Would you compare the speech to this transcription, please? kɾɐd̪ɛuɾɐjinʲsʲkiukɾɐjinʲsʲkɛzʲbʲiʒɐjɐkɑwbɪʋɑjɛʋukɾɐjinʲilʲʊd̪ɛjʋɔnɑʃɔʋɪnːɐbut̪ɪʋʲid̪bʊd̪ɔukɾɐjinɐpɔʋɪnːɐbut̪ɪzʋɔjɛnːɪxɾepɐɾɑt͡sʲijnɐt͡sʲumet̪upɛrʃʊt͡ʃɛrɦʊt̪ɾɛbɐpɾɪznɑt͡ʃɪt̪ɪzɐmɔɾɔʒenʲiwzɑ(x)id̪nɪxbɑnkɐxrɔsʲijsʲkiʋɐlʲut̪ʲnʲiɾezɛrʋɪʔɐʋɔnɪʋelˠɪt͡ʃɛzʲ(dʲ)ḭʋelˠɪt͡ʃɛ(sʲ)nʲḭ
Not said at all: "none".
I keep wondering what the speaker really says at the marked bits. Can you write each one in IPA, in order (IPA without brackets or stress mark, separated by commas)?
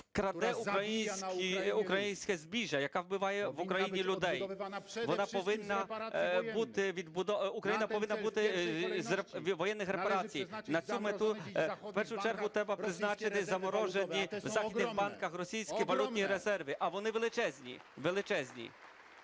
x, nʲ, zʲ